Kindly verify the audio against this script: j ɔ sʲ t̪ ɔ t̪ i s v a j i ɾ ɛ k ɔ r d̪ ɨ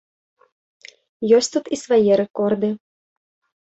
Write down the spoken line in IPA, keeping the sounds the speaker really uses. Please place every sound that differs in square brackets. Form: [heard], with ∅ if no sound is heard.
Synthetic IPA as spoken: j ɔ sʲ t̪ [u] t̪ i s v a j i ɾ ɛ k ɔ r d̪ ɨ